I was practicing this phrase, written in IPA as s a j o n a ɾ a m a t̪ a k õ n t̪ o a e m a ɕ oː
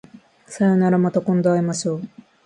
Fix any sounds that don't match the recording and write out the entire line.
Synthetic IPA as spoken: s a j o n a ɾ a m a t̪ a k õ n d̪ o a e m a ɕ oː